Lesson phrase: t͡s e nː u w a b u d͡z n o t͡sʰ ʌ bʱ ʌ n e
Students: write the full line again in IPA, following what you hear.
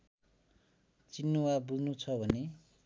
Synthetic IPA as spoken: t͡s i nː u w a b u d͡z n u t͡sʰ ʌ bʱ ʌ n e